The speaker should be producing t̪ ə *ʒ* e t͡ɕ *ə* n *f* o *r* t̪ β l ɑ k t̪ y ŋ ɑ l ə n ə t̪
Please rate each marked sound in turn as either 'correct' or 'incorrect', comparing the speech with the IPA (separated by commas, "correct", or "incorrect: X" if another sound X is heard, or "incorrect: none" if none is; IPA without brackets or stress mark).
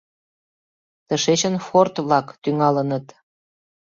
incorrect: ʃ, correct, correct, correct